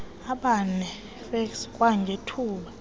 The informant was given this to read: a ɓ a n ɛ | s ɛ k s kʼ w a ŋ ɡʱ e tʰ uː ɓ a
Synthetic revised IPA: a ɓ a n ɛ | f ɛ k s kʼ w a ŋ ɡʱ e tʰ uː ɓ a